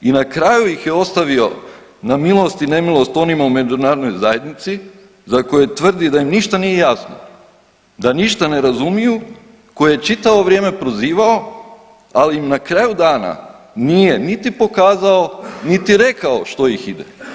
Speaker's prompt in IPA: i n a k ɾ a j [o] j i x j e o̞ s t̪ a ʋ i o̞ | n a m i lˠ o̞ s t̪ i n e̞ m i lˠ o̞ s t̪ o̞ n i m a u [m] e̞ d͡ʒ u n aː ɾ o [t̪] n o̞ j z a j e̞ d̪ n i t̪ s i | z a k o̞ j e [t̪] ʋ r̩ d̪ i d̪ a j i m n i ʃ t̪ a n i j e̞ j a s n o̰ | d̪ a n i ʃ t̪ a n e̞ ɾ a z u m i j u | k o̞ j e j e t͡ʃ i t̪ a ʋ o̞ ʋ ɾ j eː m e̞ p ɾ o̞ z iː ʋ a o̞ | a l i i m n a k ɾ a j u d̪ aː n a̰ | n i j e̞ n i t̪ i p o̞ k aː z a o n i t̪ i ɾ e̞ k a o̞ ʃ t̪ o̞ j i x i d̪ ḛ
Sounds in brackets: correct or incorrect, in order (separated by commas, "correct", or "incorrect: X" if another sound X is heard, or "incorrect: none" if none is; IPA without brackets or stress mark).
incorrect: u, correct, incorrect: d̪, correct